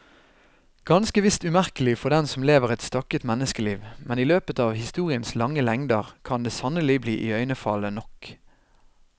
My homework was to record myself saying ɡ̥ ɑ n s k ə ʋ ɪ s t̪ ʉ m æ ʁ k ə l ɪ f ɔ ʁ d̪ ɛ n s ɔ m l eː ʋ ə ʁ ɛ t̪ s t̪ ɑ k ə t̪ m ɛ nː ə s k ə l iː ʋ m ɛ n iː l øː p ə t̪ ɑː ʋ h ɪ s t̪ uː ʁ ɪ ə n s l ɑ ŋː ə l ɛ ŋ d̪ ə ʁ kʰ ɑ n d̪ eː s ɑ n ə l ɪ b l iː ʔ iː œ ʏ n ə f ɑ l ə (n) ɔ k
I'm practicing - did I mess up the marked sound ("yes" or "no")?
no